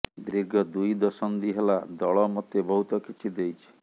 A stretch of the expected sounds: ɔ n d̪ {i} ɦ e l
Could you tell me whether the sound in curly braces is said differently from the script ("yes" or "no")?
no